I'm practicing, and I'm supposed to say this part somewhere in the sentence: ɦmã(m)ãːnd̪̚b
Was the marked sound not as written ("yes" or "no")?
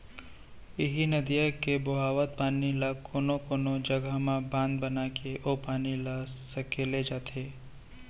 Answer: yes